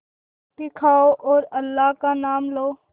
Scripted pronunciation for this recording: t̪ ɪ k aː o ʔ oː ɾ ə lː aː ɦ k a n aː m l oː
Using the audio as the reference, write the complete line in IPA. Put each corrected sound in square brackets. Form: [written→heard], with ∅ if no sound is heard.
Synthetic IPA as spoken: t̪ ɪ [k→kʰ] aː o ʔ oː ɾ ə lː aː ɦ k a n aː m l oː

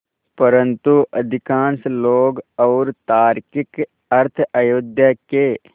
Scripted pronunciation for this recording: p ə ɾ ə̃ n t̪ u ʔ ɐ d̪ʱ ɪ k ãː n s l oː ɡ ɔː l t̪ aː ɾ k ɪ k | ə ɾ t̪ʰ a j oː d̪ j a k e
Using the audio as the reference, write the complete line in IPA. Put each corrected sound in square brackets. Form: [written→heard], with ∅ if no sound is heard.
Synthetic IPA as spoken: p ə ɾ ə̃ n t̪ u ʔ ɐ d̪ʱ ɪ k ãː n s l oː ɡ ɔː [l→ɾ] t̪ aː ɾ k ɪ k | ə ɾ t̪ʰ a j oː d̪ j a k e

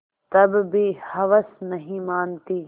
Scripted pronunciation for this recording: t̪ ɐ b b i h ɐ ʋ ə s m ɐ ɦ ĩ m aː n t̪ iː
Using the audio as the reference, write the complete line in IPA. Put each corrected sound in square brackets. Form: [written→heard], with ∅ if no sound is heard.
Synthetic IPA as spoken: t̪ ɐ b b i h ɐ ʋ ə s [m→n] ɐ ɦ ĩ m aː n t̪ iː

